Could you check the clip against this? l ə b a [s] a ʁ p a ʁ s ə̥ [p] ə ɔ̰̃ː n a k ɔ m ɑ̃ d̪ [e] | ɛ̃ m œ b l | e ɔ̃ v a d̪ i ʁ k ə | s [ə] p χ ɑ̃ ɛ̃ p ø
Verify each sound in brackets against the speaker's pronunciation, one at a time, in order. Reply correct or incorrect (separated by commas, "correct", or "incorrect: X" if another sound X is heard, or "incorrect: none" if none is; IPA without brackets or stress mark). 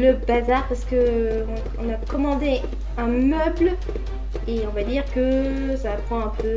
incorrect: z, incorrect: k, correct, incorrect: a